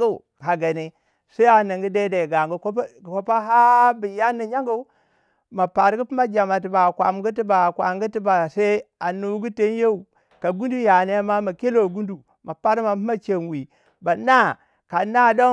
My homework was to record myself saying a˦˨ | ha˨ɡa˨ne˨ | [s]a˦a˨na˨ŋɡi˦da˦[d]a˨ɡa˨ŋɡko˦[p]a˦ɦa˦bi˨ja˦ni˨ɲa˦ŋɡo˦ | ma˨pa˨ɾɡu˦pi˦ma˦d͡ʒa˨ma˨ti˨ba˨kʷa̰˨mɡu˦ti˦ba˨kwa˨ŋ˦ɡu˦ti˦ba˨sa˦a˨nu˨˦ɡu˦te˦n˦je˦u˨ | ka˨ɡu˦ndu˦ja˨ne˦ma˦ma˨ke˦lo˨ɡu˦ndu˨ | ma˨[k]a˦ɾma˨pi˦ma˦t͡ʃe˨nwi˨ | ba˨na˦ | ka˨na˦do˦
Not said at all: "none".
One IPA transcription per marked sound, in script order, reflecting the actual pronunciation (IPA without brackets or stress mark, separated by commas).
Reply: s, d, p, p